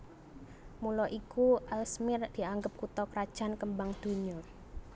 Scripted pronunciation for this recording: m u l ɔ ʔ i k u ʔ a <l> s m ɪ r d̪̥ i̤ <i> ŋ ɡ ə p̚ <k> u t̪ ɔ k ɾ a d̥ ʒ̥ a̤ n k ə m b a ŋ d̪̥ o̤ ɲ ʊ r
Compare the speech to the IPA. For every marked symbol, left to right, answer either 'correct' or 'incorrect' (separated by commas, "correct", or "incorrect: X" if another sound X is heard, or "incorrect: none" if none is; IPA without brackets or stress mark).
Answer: correct, incorrect: a, correct